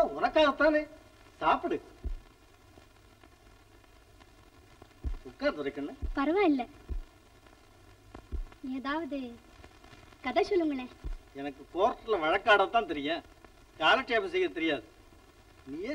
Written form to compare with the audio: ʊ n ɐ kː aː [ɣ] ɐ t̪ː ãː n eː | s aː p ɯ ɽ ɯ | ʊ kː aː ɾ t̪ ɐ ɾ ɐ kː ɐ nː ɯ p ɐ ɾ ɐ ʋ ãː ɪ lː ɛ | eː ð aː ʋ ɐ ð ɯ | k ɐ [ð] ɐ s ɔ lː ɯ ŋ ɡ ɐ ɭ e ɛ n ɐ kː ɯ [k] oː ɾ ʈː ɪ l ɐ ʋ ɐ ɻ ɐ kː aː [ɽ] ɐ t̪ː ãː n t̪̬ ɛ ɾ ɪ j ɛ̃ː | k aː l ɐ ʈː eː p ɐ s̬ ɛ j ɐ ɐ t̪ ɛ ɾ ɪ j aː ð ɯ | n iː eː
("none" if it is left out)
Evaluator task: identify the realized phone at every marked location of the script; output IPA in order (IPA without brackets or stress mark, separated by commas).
ɣ, ð, k, ɽ